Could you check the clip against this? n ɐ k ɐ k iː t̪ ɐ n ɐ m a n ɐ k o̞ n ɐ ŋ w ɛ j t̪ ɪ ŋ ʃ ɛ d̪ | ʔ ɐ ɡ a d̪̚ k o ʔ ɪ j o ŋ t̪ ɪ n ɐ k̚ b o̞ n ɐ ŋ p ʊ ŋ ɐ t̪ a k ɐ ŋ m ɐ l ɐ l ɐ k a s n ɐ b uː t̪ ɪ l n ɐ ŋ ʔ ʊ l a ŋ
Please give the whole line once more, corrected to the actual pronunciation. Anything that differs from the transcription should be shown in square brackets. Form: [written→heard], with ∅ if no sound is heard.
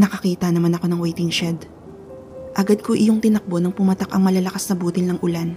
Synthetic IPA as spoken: n ɐ k ɐ k iː t̪ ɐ n ɐ m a n ɐ k o̞ n ɐ ŋ w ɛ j t̪ ɪ ŋ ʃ ɛ d̪ | ʔ ɐ ɡ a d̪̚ k o ʔ ɪ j o ŋ t̪ ɪ n ɐ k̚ b o̞ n ɐ ŋ p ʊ [ŋ→m] ɐ t̪ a k ɐ ŋ m ɐ l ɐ l ɐ k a s n ɐ b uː t̪ ɪ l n ɐ ŋ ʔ ʊ l a [ŋ→n]